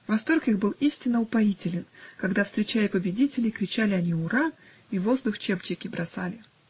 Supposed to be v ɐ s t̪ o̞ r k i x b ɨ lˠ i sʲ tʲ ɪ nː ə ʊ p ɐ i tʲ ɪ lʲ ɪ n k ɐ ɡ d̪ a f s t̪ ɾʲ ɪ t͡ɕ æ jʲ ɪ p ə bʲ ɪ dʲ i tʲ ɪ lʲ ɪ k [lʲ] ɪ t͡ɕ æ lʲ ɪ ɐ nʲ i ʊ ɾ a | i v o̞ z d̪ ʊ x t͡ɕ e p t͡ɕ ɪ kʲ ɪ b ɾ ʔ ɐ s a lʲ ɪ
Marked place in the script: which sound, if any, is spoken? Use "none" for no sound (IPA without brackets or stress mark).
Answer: ɾʲ